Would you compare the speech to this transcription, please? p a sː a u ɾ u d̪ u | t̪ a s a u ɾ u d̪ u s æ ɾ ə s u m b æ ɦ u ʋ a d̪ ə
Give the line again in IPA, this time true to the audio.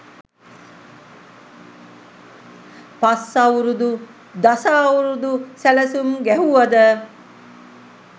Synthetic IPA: p a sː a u ɾ u d̪ u | d̪ a s a u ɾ u d̪ u s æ l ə s u m ɡ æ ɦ u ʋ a d̪ ə